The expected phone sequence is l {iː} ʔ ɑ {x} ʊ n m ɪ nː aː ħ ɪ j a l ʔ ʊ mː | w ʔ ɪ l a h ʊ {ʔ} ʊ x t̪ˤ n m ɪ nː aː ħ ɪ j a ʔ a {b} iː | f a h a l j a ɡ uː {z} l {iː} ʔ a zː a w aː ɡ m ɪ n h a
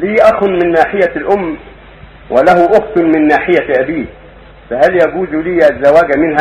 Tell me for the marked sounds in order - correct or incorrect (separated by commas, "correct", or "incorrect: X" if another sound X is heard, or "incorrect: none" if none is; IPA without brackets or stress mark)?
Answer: correct, correct, correct, correct, correct, correct